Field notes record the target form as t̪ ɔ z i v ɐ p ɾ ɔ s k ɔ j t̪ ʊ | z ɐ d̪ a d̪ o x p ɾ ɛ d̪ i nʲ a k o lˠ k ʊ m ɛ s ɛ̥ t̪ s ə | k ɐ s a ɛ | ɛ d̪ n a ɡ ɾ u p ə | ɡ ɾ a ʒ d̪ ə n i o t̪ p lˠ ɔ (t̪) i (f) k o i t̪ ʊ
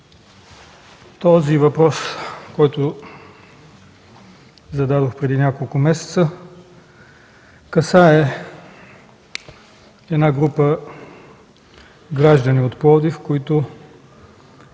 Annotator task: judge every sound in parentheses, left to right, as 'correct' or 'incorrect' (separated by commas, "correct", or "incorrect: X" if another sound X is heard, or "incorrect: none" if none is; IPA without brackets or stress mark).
incorrect: d̪, correct